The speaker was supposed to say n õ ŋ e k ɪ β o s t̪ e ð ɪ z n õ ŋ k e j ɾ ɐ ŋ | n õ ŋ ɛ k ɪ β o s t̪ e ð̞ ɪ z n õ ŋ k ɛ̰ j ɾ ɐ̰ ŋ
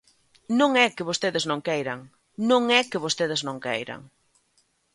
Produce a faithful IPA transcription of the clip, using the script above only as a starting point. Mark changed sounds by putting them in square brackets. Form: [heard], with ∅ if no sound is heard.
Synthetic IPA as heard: n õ ŋ [ɛ] k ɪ β o s t̪ e ð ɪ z n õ ŋ k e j ɾ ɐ ŋ | n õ ŋ ɛ k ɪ β o s t̪ e ð̞ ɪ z n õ ŋ k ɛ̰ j ɾ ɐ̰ ŋ

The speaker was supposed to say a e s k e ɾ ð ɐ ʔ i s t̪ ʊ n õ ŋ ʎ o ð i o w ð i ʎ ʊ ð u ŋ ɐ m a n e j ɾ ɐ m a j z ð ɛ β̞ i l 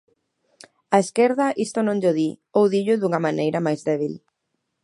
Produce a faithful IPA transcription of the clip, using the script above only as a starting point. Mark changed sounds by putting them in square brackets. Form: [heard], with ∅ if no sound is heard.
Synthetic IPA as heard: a e s k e ɾ ð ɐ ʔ i s t̪ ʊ n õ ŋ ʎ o ð i o w ð i ʎ ʊ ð u ŋ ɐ m a n e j ɾ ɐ m a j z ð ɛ β̞ i l

